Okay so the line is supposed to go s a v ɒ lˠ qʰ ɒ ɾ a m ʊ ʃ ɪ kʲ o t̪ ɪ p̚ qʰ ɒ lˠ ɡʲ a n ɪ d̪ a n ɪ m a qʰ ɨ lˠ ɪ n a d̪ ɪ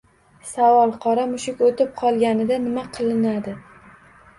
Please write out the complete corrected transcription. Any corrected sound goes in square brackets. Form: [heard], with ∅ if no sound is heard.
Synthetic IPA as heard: s a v ɒ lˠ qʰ ɒ ɾ a m ʊ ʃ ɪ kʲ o t̪ ɪ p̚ qʰ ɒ lˠ ɡʲ a n ɪ d̪ a n ɪ m a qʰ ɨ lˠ ɪ n a d̪ ɪ